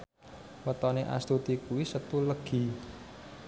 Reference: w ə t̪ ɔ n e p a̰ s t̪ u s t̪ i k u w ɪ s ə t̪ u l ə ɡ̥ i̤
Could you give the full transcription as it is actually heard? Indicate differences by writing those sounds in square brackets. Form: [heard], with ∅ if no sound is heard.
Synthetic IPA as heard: w ə t̪ ɔ n e [ʔ] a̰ s t̪ u [∅] t̪ i k u w [i] s ə t̪ u l ə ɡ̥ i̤